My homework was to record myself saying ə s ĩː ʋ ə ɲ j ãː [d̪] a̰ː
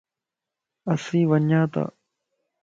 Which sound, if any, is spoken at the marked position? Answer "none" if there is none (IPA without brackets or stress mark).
t̪